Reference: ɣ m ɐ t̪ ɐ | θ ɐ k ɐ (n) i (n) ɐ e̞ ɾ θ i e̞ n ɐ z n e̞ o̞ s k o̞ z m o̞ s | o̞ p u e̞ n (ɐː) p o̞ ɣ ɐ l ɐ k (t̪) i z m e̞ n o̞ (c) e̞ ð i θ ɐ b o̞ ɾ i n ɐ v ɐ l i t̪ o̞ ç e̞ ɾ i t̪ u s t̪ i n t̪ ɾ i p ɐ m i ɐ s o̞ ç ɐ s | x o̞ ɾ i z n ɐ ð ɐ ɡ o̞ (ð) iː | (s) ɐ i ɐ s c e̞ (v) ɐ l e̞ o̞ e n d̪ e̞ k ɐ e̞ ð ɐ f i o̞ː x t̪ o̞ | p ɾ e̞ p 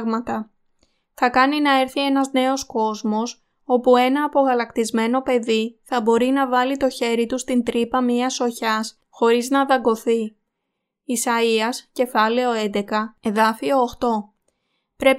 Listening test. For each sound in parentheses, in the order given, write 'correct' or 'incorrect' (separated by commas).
correct, correct, correct, correct, incorrect, incorrect, correct, incorrect